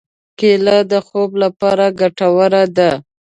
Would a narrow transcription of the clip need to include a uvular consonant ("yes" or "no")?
no